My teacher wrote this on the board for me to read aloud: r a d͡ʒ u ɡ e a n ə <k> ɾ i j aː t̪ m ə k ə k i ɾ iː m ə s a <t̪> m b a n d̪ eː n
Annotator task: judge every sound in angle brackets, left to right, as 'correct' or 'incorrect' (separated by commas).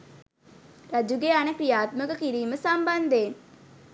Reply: correct, incorrect